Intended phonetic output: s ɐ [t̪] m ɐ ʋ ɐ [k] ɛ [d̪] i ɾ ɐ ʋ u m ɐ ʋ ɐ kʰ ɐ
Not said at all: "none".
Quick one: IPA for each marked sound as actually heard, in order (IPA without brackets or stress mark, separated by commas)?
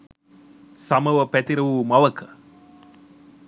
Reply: none, p, t̪